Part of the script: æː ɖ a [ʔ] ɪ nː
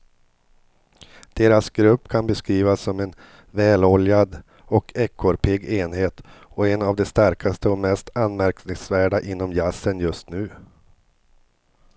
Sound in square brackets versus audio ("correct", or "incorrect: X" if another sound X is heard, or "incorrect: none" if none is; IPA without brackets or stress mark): correct